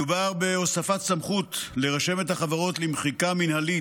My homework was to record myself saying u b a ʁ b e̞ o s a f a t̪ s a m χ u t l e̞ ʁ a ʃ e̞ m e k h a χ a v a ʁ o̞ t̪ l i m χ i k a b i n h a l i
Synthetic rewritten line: u b a ʁ b e̞ o s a f a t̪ s a m χ u t l e̞ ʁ a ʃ e̞ m e t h a χ a v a ʁ o̞ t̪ l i m χ i k a m i n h a l i